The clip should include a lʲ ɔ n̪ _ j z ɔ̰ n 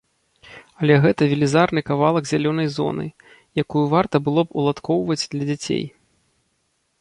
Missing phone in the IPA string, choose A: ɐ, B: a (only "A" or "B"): A